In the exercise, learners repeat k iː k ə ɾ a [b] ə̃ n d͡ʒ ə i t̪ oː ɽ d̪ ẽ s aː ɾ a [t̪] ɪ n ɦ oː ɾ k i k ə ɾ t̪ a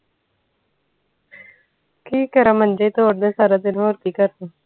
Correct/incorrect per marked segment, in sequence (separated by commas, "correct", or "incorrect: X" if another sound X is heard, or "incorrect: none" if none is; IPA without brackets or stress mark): incorrect: m, incorrect: d̪